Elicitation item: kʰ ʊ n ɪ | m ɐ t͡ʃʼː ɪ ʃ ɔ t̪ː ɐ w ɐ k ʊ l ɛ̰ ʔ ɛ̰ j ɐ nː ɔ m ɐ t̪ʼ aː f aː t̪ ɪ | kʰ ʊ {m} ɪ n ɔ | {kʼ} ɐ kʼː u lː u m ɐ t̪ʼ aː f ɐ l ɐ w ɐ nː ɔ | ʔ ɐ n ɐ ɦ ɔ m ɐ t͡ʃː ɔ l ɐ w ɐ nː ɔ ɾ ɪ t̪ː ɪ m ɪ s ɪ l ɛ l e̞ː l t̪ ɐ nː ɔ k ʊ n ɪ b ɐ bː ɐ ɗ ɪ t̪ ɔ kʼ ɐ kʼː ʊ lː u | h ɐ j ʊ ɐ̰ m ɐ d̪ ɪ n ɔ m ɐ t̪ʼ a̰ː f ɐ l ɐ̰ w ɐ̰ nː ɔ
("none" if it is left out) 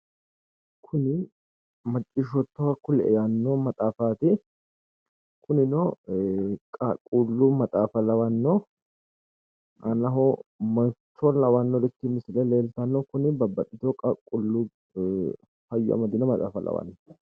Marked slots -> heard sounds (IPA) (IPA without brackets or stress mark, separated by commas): n, kʼ